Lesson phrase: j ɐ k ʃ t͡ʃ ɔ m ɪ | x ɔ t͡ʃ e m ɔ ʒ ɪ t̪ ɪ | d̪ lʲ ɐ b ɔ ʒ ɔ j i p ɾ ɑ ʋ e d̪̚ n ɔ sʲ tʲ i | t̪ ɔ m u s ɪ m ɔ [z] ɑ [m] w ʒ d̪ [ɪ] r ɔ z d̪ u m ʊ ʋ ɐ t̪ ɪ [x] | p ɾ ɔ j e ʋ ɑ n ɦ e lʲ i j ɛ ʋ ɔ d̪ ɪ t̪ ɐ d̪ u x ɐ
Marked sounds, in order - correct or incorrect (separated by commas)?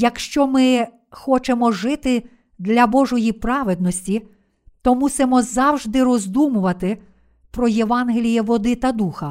correct, incorrect, correct, incorrect